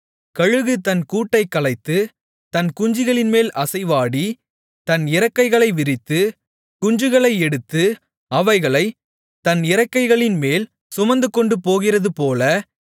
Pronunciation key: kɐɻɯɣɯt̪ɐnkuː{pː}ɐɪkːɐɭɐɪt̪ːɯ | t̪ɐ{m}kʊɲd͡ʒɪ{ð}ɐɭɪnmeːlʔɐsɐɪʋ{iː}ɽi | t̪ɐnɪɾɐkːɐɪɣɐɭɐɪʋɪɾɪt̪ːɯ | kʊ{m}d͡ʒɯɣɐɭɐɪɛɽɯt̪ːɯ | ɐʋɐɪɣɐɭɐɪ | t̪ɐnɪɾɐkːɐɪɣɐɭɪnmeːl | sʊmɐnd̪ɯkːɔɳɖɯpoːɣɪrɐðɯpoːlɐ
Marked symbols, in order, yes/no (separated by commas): no, no, no, no, no